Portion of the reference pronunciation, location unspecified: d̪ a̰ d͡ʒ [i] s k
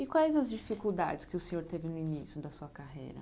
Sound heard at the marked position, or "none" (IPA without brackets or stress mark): ɪ